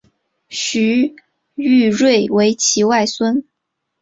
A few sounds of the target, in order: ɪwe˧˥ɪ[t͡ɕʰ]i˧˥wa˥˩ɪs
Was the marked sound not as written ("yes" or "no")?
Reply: no